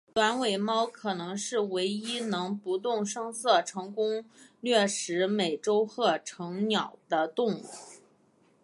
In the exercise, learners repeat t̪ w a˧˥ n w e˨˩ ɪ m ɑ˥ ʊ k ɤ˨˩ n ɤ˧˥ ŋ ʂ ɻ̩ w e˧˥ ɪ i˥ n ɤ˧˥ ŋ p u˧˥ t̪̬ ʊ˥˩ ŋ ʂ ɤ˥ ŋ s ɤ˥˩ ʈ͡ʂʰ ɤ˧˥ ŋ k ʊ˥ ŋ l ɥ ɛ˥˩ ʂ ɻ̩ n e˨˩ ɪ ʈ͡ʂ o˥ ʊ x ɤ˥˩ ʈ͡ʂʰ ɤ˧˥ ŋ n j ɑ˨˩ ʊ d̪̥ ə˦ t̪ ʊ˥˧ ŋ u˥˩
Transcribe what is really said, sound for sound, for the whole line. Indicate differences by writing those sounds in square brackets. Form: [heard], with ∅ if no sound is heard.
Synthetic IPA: t̪ w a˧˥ n w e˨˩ ɪ m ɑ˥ ʊ [kʰ] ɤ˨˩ n ɤ˧˥ ŋ ʂ ɻ̩ w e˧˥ ɪ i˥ n ɤ˧˥ ŋ p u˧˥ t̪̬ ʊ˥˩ ŋ ʂ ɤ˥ ŋ s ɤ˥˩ ʈ͡ʂʰ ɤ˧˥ ŋ k ʊ˥ ŋ l ɥ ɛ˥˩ ʂ ɻ̩ [m] e˨˩ ɪ ʈ͡ʂ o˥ ʊ x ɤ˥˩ ʈ͡ʂʰ ɤ˧˥ ŋ n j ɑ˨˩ ʊ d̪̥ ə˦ t̪ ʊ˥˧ ŋ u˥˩